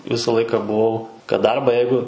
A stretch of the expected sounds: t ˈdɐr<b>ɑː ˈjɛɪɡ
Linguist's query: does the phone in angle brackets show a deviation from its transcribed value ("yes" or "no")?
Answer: no